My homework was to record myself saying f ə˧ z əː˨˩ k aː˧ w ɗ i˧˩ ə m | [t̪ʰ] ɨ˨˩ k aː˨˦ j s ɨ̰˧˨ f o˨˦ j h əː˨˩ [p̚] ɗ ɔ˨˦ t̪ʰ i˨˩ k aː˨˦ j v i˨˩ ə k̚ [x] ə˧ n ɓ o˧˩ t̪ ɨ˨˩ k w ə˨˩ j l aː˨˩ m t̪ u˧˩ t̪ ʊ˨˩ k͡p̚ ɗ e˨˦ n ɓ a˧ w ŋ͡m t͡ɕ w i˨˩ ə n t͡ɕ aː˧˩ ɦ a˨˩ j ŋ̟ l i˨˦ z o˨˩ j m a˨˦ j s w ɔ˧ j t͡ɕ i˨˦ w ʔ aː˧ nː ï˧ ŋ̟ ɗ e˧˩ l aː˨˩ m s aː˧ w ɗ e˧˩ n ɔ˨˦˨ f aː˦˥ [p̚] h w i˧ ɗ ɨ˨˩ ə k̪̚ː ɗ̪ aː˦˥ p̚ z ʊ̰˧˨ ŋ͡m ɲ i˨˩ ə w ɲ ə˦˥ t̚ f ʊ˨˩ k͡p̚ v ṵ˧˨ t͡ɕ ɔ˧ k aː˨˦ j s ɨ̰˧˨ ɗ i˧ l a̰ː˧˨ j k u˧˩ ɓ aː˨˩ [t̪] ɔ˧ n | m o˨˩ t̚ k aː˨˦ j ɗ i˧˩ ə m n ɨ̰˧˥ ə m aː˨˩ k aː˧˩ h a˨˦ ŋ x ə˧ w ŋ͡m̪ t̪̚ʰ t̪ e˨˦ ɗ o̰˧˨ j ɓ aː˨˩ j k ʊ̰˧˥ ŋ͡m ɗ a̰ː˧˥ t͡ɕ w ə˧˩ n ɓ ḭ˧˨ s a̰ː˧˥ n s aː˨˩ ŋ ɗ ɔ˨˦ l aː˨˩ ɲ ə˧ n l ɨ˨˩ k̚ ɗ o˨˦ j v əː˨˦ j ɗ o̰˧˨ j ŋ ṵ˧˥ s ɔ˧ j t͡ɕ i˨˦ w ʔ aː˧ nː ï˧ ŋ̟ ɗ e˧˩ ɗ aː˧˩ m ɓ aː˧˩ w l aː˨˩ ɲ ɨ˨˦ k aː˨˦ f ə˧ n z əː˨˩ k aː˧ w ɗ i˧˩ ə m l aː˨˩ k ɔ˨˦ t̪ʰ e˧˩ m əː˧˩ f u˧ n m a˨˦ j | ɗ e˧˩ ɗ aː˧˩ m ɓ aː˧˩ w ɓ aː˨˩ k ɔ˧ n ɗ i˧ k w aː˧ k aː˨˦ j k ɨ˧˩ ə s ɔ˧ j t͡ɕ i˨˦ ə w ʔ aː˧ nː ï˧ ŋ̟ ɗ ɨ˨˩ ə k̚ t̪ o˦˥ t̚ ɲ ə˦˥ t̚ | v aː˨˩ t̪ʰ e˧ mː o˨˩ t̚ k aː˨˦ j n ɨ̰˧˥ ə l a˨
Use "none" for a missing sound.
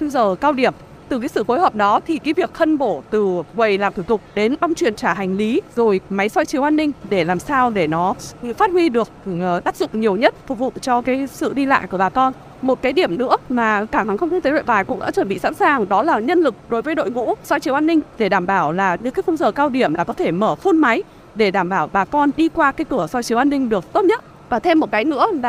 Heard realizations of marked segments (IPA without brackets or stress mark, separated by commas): t̪, p̚, x, t̚, t̪